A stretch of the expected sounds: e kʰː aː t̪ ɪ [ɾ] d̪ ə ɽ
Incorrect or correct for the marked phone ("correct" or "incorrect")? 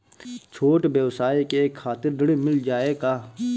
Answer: correct